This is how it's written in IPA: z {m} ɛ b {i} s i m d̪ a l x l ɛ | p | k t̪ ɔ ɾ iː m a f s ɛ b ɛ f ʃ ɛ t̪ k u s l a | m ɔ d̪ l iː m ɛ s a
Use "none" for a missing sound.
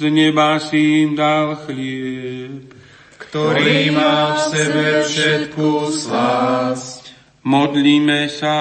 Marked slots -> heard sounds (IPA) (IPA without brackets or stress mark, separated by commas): ɲ, a